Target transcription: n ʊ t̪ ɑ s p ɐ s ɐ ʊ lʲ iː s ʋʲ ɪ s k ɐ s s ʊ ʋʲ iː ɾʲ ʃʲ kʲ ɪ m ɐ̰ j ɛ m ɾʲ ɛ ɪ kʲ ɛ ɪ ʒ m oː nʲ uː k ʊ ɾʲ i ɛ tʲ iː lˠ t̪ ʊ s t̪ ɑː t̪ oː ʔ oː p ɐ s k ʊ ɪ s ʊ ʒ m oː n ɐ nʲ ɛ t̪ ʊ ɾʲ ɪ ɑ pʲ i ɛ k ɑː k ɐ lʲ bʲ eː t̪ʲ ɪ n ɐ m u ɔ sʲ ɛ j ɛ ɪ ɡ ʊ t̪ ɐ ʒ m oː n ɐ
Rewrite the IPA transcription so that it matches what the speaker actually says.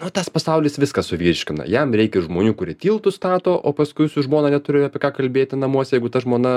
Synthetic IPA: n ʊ t̪ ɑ s p ɐ s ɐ ʊ lʲ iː s ʋʲ ɪ s k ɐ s s ʊ ʋʲ iː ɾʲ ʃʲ kʲ ɪ n ɐ̰ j ɛ m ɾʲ ɛ ɪ kʲ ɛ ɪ ʒ m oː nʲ uː k ʊ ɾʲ i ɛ tʲ iː lˠ t̪ ʊ s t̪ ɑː t̪ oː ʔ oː p ɐ s k ʊ ɪ s ʊ ʒ m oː n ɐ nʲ ɛ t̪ ʊ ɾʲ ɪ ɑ pʲ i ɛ k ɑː k ɐ lʲ bʲ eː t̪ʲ ɪ n ɐ m u ɔ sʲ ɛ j ɛ ɪ ɡ ʊ t̪ ɐ ʒ m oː n ɐ